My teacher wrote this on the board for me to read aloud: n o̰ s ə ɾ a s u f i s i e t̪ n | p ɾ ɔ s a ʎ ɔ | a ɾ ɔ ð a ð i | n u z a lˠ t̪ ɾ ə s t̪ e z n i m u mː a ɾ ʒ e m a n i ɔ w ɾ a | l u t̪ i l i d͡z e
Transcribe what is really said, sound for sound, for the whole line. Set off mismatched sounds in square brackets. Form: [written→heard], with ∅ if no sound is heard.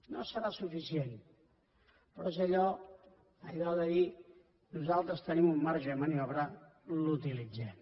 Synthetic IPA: n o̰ s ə ɾ a s u f i s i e [t̪→∅] n | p ɾ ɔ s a ʎ ɔ | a [ɾ→ʎ] ɔ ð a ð i | n u z a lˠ t̪ ɾ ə s t̪ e [z→∅] n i m u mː a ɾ ʒ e m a n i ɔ [w→β] ɾ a | l u t̪ i l i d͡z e

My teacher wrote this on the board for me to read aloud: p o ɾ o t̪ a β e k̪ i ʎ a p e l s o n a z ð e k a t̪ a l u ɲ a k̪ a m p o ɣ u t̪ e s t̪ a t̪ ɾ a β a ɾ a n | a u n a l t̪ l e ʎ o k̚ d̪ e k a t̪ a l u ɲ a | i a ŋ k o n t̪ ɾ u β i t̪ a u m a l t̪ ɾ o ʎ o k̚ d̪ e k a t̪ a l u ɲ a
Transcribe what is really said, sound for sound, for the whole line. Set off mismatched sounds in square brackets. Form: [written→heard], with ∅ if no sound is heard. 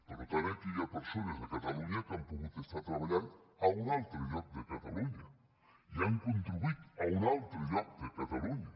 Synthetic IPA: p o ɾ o t̪ a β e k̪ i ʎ a p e [l→ɾ] s o n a z ð e k a t̪ a l u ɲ a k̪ a m p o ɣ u t̪ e s t̪ a t̪ ɾ a β a [ɾ→ʎ] a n | a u n a l t̪ [l→ɾ] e ʎ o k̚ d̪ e k a t̪ a l u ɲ a | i a ŋ k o n t̪ ɾ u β i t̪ a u [m→n] a l t̪ ɾ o ʎ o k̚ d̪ e k a t̪ a l u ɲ a

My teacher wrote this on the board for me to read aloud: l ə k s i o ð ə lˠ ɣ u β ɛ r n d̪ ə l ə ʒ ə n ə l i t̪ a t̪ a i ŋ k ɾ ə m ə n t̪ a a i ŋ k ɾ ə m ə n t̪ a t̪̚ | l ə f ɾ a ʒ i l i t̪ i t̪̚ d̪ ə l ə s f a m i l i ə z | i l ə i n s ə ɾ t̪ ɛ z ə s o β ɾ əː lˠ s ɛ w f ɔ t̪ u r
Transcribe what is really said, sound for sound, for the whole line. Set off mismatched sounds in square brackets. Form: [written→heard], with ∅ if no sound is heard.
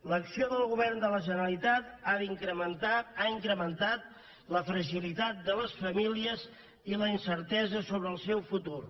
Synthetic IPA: l ə k s i o ð ə lˠ ɣ u β ɛ r n d̪ ə l ə ʒ ə n ə l i t̪ a t̪ a i ŋ k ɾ ə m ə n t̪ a a i ŋ k ɾ ə m ə n t̪ a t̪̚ | l ə f ɾ [a→ə] ʒ i l i t̪ [i→a] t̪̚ d̪ ə l ə s f [a→ə] m i l i ə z | i l ə i n s ə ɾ t̪ ɛ z ə s o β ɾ əː lˠ s ɛ w f [ɔ→u] t̪ u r

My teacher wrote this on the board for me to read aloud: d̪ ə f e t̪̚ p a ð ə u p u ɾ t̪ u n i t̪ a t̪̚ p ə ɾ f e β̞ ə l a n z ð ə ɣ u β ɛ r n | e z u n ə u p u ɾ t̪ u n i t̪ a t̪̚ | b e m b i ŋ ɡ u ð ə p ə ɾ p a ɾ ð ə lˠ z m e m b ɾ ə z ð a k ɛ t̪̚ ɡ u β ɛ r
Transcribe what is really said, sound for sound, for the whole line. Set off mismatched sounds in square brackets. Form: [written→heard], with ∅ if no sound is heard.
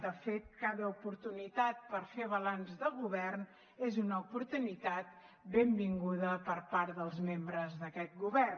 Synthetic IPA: d̪ ə f e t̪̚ [p→k] a ð ə u p u ɾ t̪ u n i t̪ a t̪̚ p ə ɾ f e β̞ ə l a n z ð ə ɣ u β ɛ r n | e z u n ə u p u ɾ t̪ u n i t̪ a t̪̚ | b e m b i ŋ ɡ u ð ə p ə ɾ p a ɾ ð ə lˠ z m e m b ɾ ə z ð [a→ə] k ɛ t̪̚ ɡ u β ɛ r

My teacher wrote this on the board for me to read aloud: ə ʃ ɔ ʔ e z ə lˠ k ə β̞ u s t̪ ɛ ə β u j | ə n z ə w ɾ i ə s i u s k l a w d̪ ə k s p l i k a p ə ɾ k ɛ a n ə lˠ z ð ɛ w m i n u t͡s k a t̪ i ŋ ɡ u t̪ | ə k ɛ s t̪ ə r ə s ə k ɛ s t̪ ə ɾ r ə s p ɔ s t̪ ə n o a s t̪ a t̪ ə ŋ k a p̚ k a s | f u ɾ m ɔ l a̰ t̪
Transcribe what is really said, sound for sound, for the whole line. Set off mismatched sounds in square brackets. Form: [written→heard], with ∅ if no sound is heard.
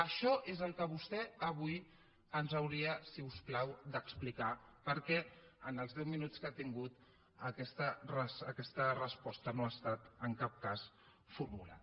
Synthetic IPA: ə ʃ ɔ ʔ e z ə lˠ k ə β̞ u s t̪ ɛ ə β u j | ə n z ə w ɾ i ə s i u s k l a w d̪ ə k s p l i k a p ə ɾ k ɛ [a→ə] n ə lˠ z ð ɛ w m i n u t͡s k a t̪ i ŋ ɡ u t̪ | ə k ɛ s t̪ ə r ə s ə k ɛ s t̪ ə [ɾ→∅] r ə s p ɔ s t̪ ə n o a s t̪ a t̪ ə ŋ k a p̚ k a s | f u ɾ m [ɔ→u] l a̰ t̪

